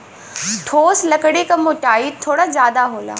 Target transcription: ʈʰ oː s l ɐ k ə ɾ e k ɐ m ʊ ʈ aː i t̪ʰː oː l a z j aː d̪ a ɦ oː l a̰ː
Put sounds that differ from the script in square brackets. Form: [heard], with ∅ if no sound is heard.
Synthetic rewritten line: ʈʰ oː s l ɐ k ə [ɽ] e k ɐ m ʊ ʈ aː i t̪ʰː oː [ɽ] a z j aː d̪ a ɦ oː l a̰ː

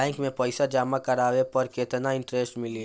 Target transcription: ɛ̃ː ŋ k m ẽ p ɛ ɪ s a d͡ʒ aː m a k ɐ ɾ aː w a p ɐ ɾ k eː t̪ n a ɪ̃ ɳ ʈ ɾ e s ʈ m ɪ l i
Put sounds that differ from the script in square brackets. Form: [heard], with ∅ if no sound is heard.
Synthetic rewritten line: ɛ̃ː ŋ k m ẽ p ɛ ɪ s a d͡ʒ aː m a k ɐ ɾ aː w [e] p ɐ ɾ k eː t̪ n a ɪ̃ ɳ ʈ ɾ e s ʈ m ɪ l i

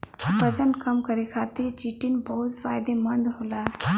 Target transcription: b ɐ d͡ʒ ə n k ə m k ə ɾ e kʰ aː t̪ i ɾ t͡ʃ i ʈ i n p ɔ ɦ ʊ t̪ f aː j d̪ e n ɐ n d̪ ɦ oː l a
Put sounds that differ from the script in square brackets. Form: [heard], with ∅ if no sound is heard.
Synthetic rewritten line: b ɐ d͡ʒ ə n k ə m k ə ɾ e kʰ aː t̪ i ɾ t͡ʃ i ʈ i n [b] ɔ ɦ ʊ t̪ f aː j d̪ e [m] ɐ n d̪ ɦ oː l a

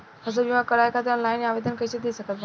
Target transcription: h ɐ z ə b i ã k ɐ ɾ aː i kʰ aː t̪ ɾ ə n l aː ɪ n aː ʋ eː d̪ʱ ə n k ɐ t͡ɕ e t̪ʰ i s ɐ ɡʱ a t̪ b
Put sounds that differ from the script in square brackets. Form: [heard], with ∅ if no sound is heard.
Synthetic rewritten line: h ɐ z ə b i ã k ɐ ɾ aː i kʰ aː t̪ ɾ ə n l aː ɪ n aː ʋ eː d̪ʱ ə n k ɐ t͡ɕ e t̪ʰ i s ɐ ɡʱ [ə] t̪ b

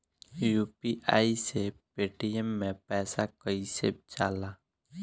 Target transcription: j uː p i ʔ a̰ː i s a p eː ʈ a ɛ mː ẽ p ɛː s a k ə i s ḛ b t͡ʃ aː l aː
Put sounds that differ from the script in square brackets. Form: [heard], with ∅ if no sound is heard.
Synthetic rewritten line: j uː p i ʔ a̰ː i s [e] p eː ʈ [i] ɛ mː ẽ p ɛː s a k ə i s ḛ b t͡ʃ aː l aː

